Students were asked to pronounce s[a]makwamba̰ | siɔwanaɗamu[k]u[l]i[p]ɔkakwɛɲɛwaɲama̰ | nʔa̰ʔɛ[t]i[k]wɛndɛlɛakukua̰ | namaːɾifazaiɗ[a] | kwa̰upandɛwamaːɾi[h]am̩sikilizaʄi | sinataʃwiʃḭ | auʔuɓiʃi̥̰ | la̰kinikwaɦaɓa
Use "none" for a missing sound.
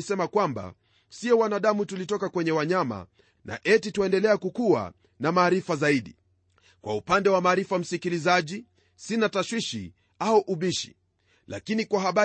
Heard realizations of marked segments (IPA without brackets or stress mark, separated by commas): ɛ, t, l, t, t, t, i, f